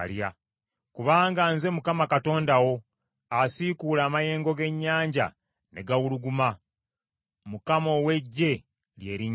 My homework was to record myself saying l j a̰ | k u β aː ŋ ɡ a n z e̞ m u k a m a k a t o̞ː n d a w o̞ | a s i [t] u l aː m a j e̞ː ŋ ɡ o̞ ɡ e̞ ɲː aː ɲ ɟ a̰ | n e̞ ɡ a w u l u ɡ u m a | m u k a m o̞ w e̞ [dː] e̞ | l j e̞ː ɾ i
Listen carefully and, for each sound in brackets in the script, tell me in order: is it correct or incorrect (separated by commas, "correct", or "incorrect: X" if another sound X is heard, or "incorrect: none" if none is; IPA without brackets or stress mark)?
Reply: incorrect: k, incorrect: ɟː